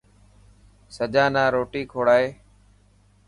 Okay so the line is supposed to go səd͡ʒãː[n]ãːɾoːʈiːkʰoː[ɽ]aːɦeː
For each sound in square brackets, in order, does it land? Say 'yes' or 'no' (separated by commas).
yes, yes